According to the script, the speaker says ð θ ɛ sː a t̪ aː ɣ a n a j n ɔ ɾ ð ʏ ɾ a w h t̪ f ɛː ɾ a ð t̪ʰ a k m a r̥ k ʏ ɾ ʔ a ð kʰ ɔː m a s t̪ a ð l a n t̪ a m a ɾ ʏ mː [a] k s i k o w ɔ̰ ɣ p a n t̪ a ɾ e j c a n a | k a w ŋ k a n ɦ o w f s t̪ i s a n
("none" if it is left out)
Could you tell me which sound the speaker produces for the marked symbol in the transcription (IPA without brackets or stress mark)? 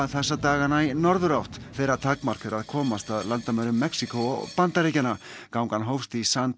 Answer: ɛ